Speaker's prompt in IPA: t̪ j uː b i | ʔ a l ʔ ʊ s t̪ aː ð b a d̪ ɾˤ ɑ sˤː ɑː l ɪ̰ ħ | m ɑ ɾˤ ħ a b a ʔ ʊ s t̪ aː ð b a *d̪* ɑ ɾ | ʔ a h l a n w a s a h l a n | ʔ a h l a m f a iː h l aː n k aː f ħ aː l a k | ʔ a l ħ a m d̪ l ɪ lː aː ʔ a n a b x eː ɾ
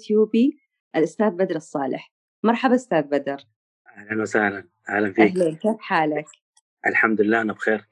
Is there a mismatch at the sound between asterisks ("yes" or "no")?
no